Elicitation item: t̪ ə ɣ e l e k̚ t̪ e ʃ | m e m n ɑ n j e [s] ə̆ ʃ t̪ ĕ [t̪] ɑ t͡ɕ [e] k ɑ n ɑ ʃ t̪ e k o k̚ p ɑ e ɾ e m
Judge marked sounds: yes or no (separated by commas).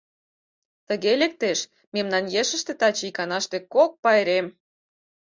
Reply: no, yes, no